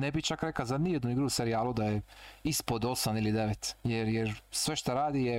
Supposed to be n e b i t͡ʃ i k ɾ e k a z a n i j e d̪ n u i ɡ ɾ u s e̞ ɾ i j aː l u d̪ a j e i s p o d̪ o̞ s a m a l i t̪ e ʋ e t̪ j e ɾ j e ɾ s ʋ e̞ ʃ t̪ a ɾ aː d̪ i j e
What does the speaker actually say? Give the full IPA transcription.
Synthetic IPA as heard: n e b i t͡ʃ a k ɾ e k a z a n i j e d̪ n u i ɡ ɾ u s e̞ ɾ i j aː l u d̪ a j e i s p o d̪ o̞ s a m i l i d̪ e ʋ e t̪ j e ɾ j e ɾ s ʋ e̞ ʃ t̪ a ɾ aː d̪ i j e